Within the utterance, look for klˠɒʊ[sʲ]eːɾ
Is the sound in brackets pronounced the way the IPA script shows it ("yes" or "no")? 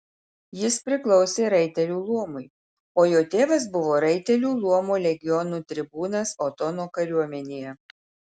yes